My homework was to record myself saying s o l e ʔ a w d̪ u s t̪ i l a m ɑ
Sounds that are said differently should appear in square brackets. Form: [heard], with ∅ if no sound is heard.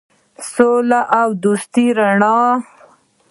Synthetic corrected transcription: s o l [a] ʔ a w d̪ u s t̪ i [ɾ] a [ɳ] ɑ